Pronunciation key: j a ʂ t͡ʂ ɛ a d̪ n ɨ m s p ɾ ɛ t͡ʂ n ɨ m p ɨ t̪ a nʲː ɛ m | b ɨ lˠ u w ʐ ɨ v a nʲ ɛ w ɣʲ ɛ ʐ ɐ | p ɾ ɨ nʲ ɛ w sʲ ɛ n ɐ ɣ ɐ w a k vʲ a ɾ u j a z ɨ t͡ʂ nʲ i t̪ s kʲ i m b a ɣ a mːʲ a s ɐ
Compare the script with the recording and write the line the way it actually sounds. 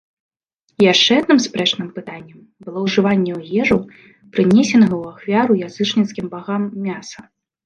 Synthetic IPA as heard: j a ʂ t͡ʂ ɛ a d̪ n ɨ m s p ɾ ɛ t͡ʂ n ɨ m p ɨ t̪ a nʲː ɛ m | b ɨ lˠ ɔ w ʐ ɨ v a nʲː ɛ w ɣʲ ɛ ʐ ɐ | p ɾ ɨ nʲ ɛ sʲ ɛ n ɐ ɣ ɐ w a x vʲ a ɾ u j a z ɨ t͡ʂ nʲ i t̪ s kʲ i m b a ɣ a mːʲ a s ɐ